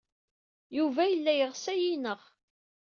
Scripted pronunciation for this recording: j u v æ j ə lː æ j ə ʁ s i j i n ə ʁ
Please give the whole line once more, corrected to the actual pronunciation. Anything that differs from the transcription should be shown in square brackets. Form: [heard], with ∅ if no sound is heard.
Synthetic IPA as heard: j u v æ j ə lː æ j ə ʁ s [æ] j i n ə ʁ